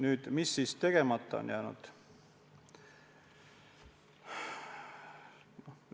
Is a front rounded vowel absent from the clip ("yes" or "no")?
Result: no